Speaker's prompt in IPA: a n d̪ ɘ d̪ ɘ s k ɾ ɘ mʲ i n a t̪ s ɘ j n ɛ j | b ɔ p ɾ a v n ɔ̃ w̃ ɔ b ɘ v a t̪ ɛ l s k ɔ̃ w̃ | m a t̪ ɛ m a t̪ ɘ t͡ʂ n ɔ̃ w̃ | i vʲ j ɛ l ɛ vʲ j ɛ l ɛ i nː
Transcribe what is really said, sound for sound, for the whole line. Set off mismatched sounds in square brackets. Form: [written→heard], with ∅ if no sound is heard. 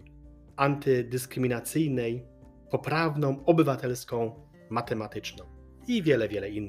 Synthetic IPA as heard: a n [d̪→t̪] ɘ d̪ ɘ s k ɾ ɘ mʲ i n a t̪ s ɘ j n ɛ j | [b→p] ɔ p ɾ a v n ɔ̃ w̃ ɔ b ɘ v a t̪ ɛ l s k ɔ̃ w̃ | m a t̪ ɛ m a t̪ ɘ t͡ʂ n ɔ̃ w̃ | i vʲ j ɛ l ɛ vʲ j ɛ l ɛ i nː